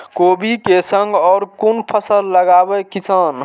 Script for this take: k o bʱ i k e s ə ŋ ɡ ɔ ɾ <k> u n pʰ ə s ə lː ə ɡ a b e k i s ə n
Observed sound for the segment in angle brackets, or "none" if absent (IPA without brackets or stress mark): k